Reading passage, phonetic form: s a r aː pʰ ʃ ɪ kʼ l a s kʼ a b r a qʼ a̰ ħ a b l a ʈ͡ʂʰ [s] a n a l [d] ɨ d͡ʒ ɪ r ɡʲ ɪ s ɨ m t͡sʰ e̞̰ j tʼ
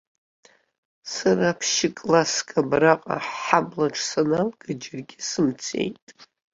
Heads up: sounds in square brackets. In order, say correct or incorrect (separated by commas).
correct, incorrect